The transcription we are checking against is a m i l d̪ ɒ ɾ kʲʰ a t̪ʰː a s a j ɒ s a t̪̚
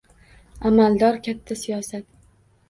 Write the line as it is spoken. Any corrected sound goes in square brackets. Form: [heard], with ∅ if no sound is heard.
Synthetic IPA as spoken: a m [a] l d̪ ɒ ɾ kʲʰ a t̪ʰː a s [i] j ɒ s a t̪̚